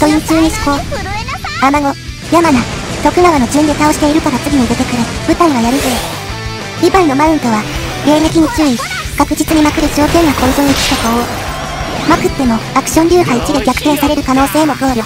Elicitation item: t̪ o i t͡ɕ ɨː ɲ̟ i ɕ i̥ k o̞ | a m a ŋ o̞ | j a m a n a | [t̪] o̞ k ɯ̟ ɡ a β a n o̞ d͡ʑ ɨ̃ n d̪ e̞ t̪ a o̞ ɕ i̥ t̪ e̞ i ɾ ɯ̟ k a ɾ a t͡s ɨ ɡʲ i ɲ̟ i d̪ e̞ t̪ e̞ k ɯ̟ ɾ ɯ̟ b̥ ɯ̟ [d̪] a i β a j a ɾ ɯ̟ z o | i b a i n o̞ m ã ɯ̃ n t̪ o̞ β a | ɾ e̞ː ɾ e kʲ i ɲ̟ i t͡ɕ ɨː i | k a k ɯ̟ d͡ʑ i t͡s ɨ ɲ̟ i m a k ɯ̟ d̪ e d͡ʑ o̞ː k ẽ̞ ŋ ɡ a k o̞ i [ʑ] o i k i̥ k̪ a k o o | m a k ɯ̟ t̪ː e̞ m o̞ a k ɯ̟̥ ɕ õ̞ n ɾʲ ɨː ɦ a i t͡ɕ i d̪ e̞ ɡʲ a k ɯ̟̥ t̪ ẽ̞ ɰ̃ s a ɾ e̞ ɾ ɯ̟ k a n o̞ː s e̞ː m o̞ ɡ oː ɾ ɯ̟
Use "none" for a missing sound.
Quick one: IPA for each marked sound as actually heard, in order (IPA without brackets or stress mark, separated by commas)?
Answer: t̪, t̪, z